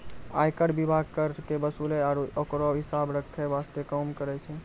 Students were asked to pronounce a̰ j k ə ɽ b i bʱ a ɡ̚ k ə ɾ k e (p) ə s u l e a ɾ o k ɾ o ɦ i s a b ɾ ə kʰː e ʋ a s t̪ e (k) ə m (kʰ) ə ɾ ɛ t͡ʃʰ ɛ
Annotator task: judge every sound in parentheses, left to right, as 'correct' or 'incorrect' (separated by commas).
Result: incorrect, correct, incorrect